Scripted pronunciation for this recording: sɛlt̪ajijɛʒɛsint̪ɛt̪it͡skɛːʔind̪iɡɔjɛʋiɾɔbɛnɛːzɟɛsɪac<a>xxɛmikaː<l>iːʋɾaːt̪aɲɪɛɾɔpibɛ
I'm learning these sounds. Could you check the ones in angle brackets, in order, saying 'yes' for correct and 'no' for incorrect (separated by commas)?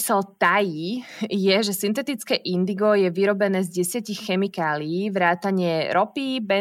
no, yes